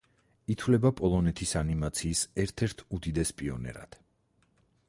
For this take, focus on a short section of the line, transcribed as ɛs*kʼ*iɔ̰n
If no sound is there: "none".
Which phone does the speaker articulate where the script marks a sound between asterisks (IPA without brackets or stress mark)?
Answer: pʼ